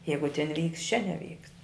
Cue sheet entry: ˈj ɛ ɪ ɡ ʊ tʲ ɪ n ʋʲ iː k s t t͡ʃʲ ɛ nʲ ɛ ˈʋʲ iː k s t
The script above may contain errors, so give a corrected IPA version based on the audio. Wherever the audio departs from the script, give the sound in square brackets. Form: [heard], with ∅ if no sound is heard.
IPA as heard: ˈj ɛ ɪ ɡ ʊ tʲ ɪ n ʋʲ iː k s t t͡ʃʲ ɛ nʲ ɛ ˈʋʲ iː k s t